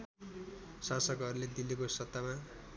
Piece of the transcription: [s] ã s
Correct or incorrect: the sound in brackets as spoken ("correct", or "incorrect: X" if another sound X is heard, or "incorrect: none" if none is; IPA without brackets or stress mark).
correct